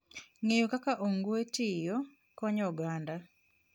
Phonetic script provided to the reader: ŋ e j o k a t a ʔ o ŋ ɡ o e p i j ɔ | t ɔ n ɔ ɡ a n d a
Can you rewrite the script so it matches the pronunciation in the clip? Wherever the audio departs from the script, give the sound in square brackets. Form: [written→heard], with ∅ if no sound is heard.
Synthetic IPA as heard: ŋ e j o k a [t→k] a ʔ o ŋ ɡ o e [p→t] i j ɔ | [t→k] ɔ [n→ɲ] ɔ ɡ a n d a